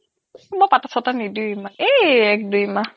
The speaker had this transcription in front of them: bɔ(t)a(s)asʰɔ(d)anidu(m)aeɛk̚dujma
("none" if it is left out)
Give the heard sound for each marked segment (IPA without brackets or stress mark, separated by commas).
p, t, t, m